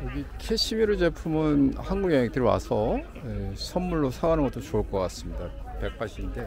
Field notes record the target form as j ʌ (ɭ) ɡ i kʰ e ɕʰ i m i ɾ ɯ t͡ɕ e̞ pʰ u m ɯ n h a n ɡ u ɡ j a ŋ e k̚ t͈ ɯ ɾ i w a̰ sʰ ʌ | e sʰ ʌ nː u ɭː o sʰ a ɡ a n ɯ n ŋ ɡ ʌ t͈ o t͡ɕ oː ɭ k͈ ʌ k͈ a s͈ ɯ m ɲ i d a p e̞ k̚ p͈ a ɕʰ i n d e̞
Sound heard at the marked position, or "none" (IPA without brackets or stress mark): none